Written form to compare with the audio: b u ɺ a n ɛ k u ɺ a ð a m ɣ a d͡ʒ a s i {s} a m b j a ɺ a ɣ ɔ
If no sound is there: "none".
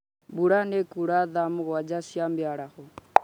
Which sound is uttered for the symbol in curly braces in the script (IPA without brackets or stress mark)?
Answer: none